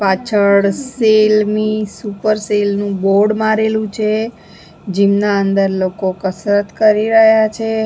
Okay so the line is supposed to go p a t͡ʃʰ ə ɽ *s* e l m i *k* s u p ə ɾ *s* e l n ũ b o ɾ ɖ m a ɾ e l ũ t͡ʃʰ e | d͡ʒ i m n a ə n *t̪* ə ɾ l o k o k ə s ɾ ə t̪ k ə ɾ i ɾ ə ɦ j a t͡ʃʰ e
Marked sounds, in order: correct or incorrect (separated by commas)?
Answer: correct, incorrect, correct, incorrect